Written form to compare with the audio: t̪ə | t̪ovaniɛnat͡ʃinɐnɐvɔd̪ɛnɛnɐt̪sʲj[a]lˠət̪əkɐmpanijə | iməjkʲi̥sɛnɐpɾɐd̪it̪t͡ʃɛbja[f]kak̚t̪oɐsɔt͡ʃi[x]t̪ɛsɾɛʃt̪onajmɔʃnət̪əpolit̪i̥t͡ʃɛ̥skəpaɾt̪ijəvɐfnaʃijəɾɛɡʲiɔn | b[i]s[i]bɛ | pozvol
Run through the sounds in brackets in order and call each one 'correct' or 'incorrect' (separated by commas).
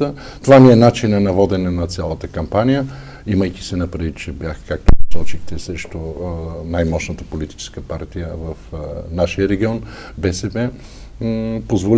correct, incorrect, correct, incorrect, incorrect